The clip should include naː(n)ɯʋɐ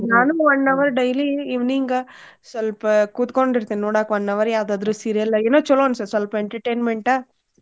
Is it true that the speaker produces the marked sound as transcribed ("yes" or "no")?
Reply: yes